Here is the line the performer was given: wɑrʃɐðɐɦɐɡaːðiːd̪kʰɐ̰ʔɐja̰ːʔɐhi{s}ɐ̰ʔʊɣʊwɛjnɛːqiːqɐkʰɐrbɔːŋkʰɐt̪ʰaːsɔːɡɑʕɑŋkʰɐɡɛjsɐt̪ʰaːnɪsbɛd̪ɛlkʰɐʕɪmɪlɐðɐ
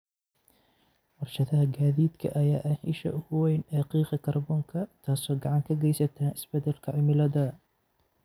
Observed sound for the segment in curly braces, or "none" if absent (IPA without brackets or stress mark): ʃ